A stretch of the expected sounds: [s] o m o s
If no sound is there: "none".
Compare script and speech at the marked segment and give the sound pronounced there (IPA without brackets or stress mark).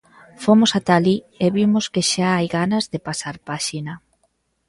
f